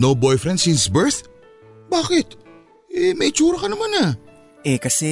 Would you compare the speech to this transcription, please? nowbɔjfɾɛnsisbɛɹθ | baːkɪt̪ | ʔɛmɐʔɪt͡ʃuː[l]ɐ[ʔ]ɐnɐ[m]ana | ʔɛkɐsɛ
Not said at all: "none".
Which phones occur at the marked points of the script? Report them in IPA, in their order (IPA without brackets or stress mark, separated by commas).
ɾ, k, m